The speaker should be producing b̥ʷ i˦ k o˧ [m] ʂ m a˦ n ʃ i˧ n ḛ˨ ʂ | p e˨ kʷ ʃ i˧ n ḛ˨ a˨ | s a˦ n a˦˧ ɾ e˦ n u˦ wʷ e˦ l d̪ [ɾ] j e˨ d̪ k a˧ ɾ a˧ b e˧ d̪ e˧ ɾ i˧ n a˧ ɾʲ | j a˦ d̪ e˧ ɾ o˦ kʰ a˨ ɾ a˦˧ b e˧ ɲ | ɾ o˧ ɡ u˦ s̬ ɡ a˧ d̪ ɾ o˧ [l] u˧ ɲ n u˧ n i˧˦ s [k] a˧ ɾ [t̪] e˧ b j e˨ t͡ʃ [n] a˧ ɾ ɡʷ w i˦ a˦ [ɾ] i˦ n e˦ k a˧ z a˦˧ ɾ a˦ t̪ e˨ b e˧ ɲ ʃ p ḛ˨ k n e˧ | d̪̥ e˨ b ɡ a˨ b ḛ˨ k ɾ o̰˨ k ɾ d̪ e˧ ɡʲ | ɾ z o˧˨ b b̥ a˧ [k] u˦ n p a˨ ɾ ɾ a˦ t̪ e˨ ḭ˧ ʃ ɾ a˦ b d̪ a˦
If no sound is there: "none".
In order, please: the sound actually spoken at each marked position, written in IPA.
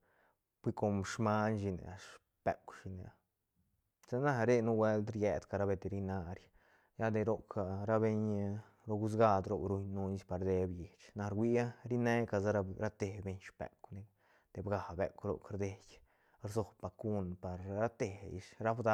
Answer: m, ɾ, ɾ, p, d̪, n, ɾ, k

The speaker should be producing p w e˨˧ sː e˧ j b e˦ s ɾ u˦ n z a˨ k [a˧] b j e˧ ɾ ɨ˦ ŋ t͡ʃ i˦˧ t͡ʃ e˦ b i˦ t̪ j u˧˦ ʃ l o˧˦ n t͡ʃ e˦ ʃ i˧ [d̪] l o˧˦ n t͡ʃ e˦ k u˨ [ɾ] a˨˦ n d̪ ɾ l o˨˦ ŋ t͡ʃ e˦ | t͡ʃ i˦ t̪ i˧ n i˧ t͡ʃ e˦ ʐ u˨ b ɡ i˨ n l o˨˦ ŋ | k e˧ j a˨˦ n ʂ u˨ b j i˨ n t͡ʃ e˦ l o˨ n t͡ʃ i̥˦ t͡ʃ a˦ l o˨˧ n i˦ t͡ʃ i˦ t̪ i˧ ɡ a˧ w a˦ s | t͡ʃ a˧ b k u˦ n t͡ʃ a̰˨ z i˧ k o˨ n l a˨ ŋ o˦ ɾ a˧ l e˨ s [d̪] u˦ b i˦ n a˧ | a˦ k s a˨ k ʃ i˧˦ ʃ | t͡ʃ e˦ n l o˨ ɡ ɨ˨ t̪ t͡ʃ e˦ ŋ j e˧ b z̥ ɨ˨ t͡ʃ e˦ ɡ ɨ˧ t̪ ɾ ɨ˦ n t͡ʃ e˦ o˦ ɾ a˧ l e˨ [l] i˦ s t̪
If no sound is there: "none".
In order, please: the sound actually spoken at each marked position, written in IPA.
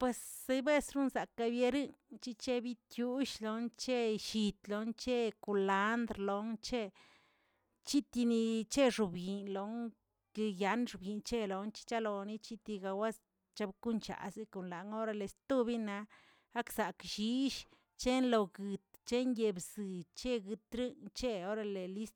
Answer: a˧, t̪, l, t̪, l

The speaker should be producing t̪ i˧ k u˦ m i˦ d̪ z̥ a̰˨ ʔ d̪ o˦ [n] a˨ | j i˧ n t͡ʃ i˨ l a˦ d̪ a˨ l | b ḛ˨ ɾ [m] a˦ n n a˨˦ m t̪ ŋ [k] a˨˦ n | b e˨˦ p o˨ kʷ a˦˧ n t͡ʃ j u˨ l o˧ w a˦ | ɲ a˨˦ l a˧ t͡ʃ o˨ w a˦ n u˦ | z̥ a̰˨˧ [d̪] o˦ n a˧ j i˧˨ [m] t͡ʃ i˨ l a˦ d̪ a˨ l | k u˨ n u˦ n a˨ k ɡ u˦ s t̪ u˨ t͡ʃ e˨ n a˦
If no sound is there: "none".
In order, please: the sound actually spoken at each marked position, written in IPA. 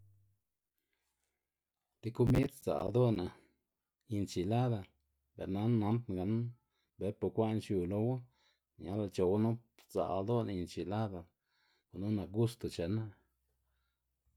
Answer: n, n, ɡ, d̪, n

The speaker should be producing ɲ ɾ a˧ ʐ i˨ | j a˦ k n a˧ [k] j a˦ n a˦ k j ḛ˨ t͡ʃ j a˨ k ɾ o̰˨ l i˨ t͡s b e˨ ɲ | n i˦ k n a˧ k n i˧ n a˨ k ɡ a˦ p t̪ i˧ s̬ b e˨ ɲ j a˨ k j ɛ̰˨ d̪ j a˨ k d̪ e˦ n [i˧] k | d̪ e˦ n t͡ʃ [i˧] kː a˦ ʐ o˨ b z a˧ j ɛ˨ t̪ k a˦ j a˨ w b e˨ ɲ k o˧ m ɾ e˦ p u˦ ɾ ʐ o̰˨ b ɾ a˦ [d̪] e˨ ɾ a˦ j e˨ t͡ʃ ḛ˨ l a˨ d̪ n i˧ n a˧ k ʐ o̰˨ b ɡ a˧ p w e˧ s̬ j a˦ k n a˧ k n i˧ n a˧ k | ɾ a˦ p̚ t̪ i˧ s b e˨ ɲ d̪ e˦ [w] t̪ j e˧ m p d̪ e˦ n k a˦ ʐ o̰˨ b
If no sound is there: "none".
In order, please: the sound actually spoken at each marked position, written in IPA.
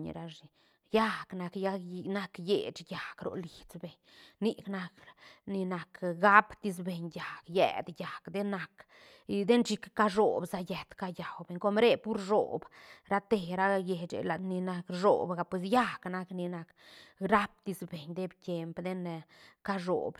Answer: k, a˧, i˧, t̪, b

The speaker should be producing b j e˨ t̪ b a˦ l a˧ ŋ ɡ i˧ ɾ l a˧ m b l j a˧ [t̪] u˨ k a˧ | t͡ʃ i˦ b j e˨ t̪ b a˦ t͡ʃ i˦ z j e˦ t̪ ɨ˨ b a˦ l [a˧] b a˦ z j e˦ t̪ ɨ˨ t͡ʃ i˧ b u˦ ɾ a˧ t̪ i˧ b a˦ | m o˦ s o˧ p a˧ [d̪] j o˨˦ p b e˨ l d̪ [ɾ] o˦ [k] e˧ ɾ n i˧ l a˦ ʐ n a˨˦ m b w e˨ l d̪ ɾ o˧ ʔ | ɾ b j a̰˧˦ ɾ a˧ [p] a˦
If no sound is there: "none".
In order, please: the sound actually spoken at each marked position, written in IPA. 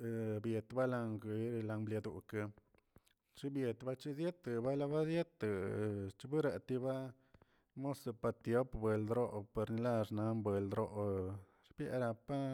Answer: d̪, a˧, t̪, ɾ, p, p

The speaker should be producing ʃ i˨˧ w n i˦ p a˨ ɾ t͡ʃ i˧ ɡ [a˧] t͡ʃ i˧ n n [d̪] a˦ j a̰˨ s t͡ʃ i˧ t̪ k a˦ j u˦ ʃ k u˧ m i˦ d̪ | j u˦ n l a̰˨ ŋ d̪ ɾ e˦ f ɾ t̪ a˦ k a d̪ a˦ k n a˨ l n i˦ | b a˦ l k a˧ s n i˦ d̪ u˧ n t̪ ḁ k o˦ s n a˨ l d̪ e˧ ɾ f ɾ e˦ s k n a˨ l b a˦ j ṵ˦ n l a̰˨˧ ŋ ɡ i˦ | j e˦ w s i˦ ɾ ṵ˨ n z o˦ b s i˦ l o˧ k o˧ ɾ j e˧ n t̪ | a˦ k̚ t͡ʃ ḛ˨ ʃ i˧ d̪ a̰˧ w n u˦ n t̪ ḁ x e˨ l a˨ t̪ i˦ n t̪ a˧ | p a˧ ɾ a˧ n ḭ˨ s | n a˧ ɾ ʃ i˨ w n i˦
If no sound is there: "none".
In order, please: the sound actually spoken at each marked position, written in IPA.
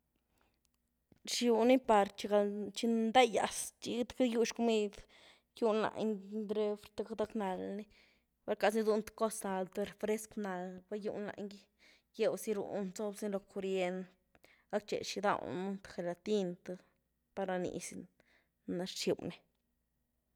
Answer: a˧, d̪

